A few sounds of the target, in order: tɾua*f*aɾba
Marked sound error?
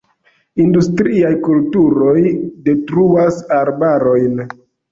yes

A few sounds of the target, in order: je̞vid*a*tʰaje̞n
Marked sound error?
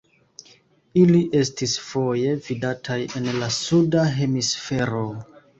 no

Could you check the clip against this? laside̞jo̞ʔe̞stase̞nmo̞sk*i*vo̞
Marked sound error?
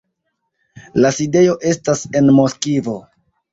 no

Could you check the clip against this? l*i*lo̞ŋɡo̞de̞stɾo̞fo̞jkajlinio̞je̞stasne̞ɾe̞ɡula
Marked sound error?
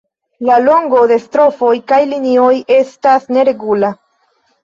yes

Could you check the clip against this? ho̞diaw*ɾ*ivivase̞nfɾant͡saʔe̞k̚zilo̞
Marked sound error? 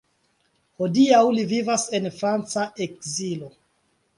yes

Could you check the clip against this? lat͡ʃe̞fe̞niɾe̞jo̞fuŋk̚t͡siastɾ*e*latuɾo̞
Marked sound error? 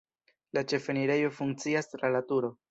yes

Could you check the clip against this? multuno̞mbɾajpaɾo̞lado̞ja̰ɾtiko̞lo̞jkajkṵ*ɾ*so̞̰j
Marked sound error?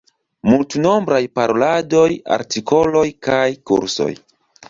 no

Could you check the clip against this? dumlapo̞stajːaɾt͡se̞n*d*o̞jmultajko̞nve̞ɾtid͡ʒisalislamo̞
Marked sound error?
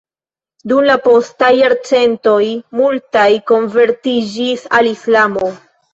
yes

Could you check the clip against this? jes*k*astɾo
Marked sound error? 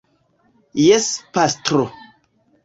yes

